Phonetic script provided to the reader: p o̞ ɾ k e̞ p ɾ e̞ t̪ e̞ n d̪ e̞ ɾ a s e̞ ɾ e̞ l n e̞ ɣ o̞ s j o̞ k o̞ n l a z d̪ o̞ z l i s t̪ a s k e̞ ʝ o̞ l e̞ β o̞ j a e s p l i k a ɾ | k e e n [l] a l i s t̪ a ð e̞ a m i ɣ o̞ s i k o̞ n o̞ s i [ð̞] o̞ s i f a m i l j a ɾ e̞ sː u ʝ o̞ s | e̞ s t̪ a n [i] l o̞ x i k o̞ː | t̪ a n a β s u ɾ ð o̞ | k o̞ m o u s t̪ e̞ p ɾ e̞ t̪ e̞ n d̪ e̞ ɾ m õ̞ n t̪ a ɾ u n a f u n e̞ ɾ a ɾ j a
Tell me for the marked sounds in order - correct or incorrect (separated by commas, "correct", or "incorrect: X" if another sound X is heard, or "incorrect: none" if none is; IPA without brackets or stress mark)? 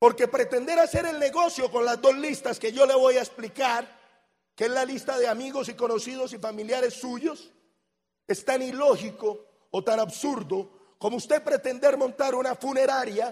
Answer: correct, correct, correct